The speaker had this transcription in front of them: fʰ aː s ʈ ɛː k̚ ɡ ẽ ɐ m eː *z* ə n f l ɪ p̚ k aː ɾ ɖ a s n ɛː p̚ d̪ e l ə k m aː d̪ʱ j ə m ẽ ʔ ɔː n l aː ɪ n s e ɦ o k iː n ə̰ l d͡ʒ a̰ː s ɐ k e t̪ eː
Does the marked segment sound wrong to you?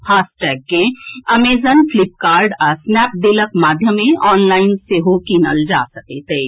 no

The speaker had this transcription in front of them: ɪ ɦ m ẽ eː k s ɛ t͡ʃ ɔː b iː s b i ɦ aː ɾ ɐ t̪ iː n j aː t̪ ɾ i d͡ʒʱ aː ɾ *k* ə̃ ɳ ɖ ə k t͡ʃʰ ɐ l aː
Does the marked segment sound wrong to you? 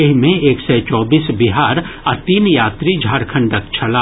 yes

